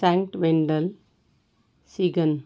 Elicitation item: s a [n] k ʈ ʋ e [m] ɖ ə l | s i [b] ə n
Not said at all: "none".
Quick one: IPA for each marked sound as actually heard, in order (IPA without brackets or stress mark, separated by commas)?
ŋ, ɳ, ɡ